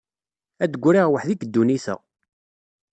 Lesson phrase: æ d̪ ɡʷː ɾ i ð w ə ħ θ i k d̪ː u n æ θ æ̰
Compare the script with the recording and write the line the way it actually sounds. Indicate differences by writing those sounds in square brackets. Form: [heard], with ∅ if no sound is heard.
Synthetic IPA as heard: æ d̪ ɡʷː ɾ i [ʁ] w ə ħ [ð] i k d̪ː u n [i] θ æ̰